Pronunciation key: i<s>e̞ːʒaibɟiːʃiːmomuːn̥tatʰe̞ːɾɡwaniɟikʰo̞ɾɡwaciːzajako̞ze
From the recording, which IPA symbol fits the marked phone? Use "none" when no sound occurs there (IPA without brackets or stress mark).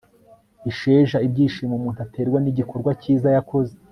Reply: ʃ